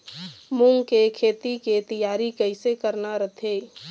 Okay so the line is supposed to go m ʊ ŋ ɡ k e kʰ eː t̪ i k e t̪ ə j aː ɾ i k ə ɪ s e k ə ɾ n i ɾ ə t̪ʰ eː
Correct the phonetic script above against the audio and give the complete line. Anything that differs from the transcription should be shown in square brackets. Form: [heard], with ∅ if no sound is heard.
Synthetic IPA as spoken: m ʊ ŋ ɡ k e kʰ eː t̪ i k e t̪ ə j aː ɾ i k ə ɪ s e k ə ɾ n [a] ɾ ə t̪ʰ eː